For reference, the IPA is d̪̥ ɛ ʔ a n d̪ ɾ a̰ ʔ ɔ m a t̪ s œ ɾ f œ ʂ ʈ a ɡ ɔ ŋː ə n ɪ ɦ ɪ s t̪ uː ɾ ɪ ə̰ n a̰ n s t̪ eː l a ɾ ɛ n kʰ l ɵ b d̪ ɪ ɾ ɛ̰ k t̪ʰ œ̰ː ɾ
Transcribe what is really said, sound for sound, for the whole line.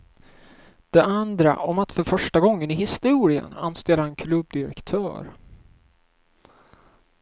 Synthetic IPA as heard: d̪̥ ɛ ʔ a n d̪ ɾ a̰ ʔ ɔ m a t̪ f œ ɾ f œ ʂ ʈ a ɡ ɔ ŋː ə n ɪ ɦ ɪ s t̪ uː ɾ ɪ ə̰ n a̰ n s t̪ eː l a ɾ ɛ n kʰ l ɵ b d̪ ɪ ɾ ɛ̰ k t̪ʰ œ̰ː ɾ